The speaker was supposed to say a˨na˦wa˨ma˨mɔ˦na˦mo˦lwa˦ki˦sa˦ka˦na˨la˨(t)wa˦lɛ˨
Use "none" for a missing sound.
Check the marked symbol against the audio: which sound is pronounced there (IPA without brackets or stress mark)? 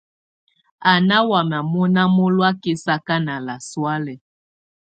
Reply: s